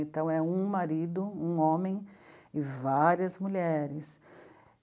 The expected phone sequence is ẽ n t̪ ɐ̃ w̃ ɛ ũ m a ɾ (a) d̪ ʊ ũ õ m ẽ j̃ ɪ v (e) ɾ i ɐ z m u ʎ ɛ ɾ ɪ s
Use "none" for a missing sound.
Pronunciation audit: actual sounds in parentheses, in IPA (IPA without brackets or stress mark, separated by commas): i, a